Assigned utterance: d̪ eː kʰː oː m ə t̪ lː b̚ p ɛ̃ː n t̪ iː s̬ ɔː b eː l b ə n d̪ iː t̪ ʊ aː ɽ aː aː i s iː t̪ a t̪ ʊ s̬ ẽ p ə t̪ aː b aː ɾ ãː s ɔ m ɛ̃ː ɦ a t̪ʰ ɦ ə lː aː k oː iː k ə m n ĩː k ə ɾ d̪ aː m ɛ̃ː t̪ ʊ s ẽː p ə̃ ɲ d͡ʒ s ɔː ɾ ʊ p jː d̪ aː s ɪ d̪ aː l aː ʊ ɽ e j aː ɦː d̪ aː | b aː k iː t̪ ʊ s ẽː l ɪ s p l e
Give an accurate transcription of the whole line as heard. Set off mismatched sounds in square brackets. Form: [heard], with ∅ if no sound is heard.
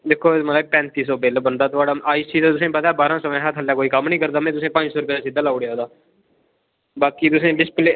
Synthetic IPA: d̪ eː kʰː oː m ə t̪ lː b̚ p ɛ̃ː n t̪ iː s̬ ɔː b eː l b ə n d̪ [aː] t̪ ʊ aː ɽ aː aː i s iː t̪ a t̪ ʊ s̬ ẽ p ə t̪ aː b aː ɾ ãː s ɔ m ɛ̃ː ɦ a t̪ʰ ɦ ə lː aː k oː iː k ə m n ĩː k ə ɾ d̪ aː m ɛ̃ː t̪ ʊ s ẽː p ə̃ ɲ d͡ʒ s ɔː ɾ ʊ p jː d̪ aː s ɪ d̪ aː l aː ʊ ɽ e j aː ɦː d̪ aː | b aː k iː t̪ ʊ s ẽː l ɪ s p l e